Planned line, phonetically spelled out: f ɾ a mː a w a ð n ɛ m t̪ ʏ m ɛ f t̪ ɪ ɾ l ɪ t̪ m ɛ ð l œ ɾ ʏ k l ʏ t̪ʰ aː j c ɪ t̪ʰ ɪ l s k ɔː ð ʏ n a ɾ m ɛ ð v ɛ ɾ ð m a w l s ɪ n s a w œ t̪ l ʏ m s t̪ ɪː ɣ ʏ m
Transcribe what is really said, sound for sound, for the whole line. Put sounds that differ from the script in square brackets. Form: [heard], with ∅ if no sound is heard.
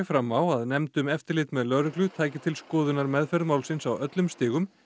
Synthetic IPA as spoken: f ɾ a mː a w a ð n ɛ m t̪ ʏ m ɛ f t̪ ɪ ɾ l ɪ t̪ m ɛ ð l œ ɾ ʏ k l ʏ t̪ʰ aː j c ɪ t̪ʰ ɪ l s k ɔː ð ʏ n a ɾ m ɛ ð [f] ɛ ɾ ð m a w l s ɪ n s a w œ t̪ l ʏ m s t̪ ɪː ɣ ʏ m